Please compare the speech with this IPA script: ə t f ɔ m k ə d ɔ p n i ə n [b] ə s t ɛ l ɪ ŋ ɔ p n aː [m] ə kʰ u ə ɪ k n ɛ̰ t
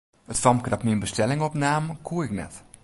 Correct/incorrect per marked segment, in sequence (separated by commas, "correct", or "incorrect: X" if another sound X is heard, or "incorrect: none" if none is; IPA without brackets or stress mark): correct, correct